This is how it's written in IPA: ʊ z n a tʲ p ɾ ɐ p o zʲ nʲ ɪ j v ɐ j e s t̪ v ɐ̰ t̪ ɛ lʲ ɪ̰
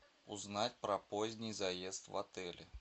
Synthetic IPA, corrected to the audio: ʊ z n a tʲ p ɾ ɐ p o zʲ nʲ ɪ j z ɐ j e s t̪ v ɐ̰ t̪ ɛ lʲ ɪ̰